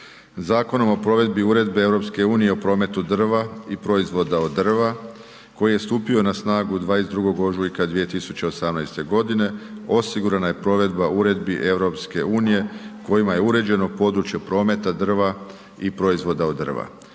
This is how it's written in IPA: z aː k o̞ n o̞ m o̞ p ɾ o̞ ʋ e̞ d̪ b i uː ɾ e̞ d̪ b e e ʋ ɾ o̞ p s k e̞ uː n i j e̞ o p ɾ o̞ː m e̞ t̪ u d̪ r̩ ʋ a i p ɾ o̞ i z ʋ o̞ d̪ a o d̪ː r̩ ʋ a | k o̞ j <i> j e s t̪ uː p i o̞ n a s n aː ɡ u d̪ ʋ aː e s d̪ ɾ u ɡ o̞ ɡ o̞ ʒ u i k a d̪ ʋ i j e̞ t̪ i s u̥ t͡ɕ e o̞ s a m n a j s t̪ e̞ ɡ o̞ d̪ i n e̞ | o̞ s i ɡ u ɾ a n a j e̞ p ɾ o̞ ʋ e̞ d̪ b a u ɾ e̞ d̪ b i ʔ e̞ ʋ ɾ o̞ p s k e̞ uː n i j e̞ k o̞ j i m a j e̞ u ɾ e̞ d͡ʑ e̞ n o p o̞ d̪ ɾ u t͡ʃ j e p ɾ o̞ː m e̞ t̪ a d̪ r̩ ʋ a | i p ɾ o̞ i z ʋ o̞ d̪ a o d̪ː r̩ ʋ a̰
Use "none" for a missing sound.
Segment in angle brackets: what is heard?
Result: i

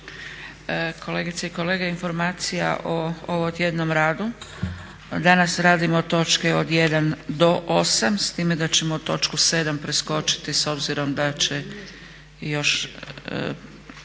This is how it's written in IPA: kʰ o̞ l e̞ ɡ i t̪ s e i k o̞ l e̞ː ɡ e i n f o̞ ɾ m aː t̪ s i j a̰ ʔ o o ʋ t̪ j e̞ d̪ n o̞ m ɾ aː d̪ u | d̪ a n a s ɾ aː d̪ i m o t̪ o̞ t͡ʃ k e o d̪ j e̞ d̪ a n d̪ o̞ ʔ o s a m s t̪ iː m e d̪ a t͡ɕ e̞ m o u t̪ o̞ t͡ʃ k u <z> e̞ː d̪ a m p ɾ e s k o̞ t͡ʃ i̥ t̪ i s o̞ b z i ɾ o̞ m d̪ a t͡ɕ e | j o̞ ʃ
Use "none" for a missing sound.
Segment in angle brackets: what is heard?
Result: s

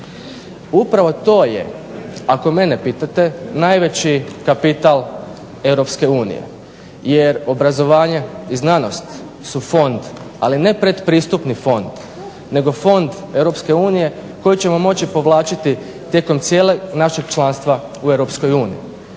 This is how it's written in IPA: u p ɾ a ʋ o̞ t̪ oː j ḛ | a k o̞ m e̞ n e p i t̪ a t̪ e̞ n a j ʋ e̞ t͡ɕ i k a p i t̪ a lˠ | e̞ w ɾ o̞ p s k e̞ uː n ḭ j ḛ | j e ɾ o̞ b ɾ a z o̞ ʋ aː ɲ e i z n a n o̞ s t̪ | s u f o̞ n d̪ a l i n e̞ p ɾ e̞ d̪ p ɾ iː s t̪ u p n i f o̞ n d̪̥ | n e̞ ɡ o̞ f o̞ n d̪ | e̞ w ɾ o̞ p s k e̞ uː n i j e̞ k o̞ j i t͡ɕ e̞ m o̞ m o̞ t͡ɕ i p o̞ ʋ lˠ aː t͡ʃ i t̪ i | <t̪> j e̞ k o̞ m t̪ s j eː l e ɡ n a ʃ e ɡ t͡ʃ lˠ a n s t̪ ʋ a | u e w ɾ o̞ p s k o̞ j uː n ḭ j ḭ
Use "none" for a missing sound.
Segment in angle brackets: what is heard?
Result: t̪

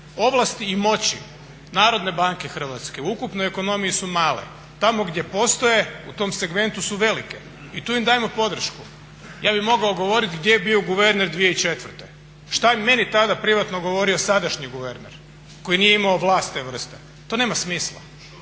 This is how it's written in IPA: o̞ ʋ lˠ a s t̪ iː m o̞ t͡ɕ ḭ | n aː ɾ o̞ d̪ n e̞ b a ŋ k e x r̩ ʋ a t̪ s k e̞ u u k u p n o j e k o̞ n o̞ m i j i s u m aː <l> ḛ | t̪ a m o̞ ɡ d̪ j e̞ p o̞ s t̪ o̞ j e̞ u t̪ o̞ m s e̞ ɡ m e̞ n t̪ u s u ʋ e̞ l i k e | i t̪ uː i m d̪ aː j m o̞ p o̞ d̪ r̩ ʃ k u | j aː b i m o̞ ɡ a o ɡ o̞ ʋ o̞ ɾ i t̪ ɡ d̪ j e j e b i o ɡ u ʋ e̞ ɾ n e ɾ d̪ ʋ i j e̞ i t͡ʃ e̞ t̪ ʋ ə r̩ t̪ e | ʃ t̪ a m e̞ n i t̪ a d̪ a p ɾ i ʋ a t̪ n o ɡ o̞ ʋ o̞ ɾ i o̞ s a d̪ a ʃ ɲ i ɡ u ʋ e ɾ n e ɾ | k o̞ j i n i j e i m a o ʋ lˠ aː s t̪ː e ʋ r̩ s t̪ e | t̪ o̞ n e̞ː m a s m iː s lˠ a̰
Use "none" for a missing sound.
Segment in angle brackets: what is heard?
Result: l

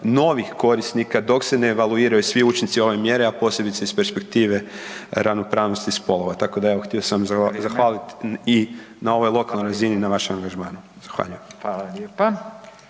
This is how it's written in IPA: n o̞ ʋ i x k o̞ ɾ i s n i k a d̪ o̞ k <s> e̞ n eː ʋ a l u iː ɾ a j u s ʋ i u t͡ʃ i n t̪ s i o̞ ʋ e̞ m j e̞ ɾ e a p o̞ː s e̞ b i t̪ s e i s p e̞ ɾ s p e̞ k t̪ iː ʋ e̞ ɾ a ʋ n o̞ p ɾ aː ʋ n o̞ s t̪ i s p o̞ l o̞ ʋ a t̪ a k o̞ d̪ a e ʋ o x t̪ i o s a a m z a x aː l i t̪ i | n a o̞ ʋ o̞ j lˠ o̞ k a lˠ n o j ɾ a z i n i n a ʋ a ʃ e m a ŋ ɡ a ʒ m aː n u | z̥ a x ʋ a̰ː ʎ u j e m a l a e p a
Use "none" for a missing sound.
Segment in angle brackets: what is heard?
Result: s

